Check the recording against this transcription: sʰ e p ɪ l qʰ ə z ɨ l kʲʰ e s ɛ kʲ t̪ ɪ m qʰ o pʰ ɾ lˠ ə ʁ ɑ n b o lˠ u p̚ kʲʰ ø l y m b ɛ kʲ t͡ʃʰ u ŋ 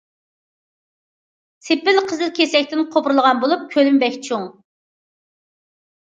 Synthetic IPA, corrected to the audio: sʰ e p ɪ l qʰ ə z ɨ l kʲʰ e s ɛ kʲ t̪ ɪ n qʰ o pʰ ɾ lˠ ə ʁ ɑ n b o lˠ u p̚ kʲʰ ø l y m b ɛ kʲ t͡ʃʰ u ŋ